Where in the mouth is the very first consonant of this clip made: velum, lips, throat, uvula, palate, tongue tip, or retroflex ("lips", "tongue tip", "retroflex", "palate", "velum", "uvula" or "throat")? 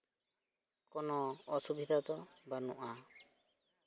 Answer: velum